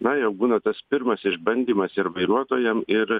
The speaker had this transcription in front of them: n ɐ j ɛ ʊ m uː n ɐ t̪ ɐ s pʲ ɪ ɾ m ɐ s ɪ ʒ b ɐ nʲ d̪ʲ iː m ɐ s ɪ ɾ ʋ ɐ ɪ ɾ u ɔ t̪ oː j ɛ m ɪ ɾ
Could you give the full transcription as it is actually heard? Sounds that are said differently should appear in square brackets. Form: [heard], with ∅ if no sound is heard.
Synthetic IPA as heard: n ɐ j ɛ ʊ [b] uː n ɐ t̪ ɐ s pʲ ɪ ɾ m ɐ s ɪ ʒ b ɐ nʲ d̪ʲ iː m ɐ s ɪ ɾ ʋ ɐ ɪ ɾ u ɔ t̪ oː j ɛ m ɪ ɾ